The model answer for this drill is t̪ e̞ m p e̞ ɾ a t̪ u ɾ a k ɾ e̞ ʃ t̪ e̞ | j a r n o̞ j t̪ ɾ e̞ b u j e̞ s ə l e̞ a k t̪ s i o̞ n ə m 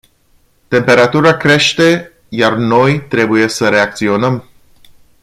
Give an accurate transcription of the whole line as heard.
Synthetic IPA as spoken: t̪ e̞ m p e̞ ɾ a t̪ u ɾ a k ɾ e̞ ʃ t̪ e̞ | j a r n o̞ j t̪ ɾ e̞ b u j e̞ s ə ɾ e̞ a k t̪ s i o̞ n ə m